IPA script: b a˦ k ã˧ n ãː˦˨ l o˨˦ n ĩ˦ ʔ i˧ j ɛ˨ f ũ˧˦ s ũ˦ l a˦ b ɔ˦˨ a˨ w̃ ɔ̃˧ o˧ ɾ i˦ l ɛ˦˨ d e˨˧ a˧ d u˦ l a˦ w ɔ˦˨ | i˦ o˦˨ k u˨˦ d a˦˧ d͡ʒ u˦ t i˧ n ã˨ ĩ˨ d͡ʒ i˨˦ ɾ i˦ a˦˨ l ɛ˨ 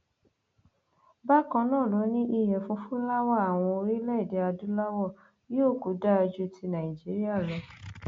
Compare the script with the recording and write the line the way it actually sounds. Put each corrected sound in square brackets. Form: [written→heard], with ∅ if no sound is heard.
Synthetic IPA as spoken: b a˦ k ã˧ n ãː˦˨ l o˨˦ n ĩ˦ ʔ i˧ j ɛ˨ f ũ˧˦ [s→f] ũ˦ l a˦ [b→w] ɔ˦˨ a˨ w̃ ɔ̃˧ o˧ ɾ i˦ l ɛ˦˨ d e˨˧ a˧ d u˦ l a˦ w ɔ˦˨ | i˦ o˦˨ k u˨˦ d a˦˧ d͡ʒ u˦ t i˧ n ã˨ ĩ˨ d͡ʒ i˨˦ ɾ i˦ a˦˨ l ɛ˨